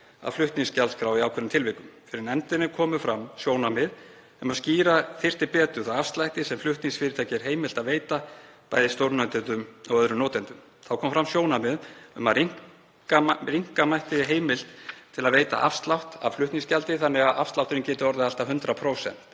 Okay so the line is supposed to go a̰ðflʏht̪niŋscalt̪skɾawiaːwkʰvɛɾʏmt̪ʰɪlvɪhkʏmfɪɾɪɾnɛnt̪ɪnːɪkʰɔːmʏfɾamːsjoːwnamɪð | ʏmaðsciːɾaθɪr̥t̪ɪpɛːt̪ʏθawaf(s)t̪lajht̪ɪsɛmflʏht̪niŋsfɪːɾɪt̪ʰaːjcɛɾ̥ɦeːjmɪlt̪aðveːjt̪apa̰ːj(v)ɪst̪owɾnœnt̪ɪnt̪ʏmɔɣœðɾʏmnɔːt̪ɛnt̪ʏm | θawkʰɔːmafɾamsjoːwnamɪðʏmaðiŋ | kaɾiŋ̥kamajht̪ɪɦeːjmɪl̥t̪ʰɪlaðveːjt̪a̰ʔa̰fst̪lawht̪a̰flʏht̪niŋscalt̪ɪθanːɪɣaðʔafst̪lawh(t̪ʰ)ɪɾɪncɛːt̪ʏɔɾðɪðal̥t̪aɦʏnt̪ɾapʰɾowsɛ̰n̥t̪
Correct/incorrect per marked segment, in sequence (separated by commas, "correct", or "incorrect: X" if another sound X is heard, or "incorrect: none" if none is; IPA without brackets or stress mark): correct, incorrect: ð, incorrect: t̪